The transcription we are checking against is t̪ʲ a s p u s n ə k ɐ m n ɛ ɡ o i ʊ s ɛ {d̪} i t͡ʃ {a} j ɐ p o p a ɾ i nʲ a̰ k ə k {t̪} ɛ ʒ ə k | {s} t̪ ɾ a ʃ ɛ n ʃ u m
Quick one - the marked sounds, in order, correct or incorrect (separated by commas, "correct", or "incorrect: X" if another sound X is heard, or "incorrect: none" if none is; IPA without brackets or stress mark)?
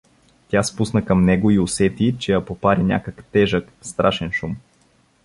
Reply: incorrect: t̪, incorrect: ɛ, correct, correct